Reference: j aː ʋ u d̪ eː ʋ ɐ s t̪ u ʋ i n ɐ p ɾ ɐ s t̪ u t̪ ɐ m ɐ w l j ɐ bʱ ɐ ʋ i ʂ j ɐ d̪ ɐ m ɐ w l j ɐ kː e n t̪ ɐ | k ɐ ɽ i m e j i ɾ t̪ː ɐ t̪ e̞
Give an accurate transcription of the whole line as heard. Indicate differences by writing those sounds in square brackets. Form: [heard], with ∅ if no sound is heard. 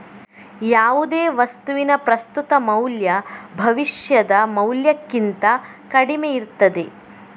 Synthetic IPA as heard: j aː ʋ u d̪ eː ʋ ɐ s t̪ u ʋ i n ɐ p ɾ ɐ s t̪ u t̪ ɐ m ɐ w l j ɐ bʱ ɐ ʋ i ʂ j ɐ d̪ ɐ m ɐ w l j ɐ kː [i] n t̪ ɐ | k ɐ ɽ i m e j i ɾ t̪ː ɐ [d̪] e̞